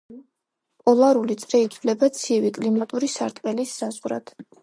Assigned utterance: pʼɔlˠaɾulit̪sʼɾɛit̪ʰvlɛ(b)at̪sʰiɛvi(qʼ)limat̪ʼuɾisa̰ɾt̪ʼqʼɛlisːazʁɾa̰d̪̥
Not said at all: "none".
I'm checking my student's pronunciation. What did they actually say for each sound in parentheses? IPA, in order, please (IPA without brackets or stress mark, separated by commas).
b, kʼ